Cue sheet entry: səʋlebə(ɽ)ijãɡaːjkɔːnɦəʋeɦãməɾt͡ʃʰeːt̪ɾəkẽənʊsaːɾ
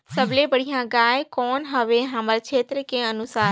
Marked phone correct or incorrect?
correct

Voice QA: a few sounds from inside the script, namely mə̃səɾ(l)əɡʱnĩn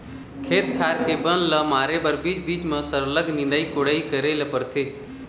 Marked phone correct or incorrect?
correct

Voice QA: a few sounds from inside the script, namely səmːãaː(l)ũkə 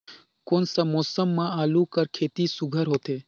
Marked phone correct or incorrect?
correct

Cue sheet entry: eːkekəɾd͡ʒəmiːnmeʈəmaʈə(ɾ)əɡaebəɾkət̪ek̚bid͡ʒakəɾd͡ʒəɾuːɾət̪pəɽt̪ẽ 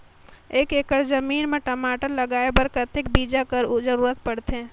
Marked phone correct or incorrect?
incorrect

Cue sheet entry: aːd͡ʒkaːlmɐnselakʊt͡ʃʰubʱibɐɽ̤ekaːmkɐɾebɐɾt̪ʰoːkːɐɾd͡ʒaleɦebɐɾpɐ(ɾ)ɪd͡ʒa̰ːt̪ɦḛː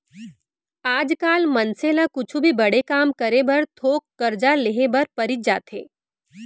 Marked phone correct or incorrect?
correct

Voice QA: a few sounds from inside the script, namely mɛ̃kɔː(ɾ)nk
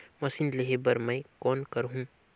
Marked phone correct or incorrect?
incorrect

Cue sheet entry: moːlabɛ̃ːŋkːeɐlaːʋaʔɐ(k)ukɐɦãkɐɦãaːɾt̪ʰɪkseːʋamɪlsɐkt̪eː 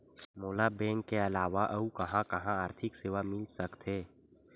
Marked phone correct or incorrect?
incorrect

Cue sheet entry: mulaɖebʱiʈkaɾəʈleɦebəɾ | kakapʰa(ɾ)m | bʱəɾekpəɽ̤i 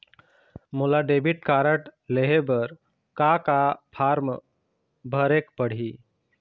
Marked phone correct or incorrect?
correct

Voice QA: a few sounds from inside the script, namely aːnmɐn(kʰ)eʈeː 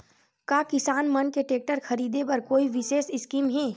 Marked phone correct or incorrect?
incorrect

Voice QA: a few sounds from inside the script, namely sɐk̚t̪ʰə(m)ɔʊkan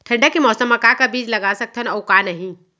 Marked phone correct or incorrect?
incorrect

